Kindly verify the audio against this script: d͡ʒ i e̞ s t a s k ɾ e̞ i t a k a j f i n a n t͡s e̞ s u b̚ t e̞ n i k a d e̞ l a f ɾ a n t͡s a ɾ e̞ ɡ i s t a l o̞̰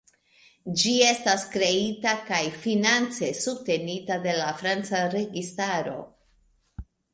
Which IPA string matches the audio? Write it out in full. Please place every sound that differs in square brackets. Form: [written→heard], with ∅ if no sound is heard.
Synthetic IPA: d͡ʒ i e̞ s t a s k ɾ e̞ i t a k a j f i n a n t͡s e̞ s u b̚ t e̞ n i [k→t] a d e̞ l a f ɾ a n t͡s a ɾ e̞ ɡ i s t a [l→ɾ] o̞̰